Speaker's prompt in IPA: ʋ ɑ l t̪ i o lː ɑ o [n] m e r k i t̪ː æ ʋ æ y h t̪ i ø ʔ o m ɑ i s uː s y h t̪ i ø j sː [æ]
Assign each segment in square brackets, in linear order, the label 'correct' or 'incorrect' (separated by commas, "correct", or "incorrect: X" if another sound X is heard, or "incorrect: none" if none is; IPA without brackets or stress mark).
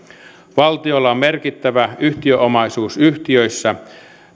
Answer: incorrect: m, correct